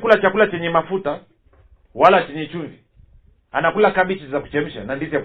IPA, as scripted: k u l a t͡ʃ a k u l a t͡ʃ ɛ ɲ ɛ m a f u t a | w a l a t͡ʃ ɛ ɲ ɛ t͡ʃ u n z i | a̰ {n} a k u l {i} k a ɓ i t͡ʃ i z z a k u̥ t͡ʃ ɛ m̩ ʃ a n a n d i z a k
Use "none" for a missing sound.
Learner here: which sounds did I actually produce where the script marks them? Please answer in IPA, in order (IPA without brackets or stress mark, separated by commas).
n, a